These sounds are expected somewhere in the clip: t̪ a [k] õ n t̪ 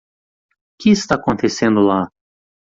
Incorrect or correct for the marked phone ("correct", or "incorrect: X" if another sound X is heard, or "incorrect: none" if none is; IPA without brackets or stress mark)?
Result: correct